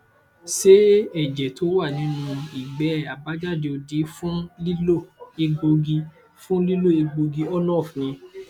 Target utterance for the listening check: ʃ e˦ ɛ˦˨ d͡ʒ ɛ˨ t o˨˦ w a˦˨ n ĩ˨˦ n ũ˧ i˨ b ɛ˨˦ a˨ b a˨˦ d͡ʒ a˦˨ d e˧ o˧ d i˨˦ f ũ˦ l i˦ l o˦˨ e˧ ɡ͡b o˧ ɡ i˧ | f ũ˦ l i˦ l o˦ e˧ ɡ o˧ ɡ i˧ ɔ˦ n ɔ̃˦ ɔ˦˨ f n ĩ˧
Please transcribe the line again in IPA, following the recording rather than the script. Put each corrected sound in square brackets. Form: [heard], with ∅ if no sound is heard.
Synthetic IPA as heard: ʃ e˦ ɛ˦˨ d͡ʒ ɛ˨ t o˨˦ w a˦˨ n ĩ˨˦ n ũ˧ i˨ [ɡ͡b] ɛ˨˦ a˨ b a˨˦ d͡ʒ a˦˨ d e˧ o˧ d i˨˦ f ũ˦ l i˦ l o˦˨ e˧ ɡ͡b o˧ ɡ i˧ | f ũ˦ l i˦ l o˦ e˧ [ɡ͡b] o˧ ɡ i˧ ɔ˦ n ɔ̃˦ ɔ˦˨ f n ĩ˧